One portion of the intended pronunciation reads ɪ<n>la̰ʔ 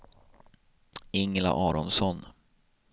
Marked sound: incorrect: ŋ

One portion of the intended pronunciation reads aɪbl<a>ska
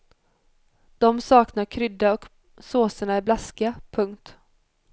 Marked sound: correct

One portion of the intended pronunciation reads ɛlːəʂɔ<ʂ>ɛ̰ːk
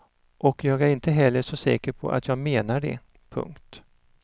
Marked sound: incorrect: s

